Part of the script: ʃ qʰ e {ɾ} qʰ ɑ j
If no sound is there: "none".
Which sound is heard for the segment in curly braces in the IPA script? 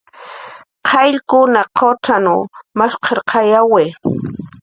ɾ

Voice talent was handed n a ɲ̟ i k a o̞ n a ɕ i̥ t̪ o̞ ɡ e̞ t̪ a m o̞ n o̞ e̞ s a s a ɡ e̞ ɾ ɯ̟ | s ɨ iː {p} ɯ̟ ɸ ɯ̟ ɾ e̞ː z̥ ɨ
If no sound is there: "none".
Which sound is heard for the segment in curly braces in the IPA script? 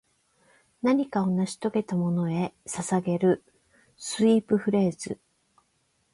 p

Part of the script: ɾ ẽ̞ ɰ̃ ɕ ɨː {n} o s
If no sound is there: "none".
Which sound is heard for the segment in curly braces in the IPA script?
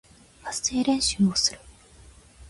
m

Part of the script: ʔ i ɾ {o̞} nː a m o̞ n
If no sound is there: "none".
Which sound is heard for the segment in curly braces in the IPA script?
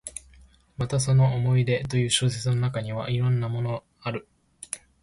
õ̞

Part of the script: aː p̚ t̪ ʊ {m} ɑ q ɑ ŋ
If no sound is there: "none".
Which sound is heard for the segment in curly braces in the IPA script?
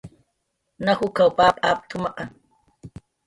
m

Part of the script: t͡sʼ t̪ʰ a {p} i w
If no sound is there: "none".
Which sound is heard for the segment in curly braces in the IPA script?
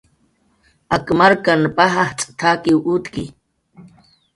k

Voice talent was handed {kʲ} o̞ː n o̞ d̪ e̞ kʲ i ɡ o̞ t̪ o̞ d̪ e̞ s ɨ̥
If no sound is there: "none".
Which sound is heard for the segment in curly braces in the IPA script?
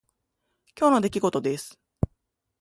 kʲ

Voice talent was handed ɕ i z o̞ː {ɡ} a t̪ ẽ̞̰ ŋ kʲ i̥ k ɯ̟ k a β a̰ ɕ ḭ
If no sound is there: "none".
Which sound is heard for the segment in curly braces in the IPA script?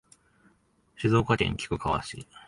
k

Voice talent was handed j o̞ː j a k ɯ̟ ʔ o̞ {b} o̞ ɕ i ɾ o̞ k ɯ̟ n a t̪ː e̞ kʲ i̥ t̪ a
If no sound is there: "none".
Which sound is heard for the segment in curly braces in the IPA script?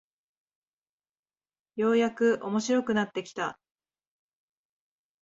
m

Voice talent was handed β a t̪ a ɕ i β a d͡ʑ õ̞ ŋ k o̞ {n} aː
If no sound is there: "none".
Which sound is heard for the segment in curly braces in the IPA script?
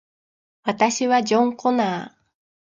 n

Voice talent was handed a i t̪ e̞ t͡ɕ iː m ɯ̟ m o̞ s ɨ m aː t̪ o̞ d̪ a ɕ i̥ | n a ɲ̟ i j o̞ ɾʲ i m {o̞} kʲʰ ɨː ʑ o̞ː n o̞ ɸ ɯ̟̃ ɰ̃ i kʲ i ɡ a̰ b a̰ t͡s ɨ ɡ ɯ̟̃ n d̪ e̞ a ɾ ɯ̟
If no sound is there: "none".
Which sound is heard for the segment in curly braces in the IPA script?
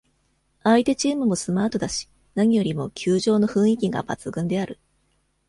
o̞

